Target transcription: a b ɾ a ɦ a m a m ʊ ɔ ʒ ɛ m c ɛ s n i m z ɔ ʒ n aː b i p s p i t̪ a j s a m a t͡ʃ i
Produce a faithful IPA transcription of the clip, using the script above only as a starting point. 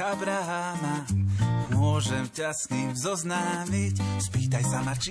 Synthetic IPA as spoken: a b ɾ a ɦ a m a m ʊ ɔ ʒ ɛ m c a s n i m z ɔ z n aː m i c s p iː t̪ a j s a m a t͡ʃ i